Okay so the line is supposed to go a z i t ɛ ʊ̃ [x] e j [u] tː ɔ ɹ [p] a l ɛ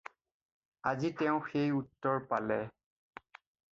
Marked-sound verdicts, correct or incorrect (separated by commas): correct, correct, correct